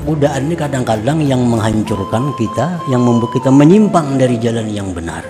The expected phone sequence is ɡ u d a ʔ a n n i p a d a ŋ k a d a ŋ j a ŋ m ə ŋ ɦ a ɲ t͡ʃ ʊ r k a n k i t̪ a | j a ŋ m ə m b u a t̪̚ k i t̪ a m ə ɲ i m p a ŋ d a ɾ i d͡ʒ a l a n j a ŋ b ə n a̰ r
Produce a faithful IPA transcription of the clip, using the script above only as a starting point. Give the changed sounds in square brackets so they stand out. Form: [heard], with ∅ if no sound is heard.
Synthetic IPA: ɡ u d a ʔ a n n i [k] a d a ŋ k a d a ŋ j a ŋ m ə ŋ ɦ a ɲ t͡ʃ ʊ r k a n k i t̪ a | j a ŋ m ə m b u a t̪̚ k i t̪ a m ə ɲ i m p a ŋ d a ɾ i d͡ʒ a l a n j a ŋ b ə n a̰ r